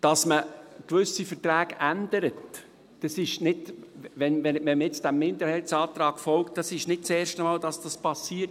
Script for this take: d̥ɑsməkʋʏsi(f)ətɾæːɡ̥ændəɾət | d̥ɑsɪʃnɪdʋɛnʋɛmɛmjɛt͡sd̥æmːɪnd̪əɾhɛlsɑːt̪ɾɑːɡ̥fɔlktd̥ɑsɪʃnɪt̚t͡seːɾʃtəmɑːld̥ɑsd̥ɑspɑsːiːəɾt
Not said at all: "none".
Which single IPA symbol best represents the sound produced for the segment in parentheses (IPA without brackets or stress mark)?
f